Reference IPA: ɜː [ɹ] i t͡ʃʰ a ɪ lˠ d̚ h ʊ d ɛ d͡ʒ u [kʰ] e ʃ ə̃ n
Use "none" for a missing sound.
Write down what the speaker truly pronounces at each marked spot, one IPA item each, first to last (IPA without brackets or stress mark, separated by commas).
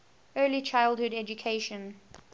l, kʰ